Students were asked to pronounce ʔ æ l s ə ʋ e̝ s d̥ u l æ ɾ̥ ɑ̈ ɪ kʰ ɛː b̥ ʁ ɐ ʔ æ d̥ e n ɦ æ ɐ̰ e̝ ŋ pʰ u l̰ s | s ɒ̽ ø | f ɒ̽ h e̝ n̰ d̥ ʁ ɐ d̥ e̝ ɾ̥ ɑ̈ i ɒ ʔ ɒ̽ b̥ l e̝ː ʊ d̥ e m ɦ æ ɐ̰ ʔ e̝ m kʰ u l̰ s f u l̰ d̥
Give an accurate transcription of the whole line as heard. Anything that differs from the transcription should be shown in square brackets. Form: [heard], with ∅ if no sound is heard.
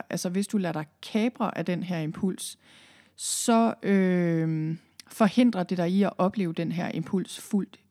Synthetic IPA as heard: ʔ æ l s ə ʋ e̝ s d̥ u l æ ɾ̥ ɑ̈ ɪ kʰ ɛː b̥ ʁ ɐ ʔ æ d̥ e n ɦ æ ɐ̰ e̝ [m] pʰ u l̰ s | s ɒ̽ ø | f ɒ̽ h e̝ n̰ d̥ ʁ ɐ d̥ e̝ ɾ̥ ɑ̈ i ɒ ʔ ɒ̽ b̥ l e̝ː ʊ d̥ e [n] ɦ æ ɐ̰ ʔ e̝ m [pʰ] u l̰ s f u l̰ d̥